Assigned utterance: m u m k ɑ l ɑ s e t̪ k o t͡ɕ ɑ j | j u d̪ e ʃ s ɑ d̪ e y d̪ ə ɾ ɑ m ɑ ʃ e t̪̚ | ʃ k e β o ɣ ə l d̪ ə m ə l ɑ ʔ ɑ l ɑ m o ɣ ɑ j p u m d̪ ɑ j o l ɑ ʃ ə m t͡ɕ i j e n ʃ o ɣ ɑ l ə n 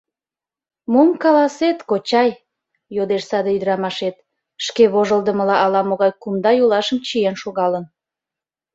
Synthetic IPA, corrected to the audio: m o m k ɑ l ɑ s e t̪ k o t͡ɕ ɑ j | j o d̪ e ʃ s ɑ d̪ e y d̪ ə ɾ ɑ m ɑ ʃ e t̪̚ | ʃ k e β o ʒ ə l d̪ ə m ə l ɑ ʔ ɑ l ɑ m o ɣ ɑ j k u m d̪ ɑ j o l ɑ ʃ ə m t͡ɕ i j e n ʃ o ɣ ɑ l ə n